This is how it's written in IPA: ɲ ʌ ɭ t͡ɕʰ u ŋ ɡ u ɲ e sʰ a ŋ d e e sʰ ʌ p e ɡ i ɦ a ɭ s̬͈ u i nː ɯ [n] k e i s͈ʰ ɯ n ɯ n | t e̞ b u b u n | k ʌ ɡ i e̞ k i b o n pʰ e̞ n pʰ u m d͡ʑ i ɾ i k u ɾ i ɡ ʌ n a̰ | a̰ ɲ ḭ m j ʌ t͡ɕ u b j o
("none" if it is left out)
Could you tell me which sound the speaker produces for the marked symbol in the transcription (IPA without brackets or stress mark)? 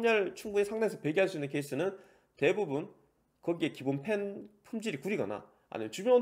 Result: n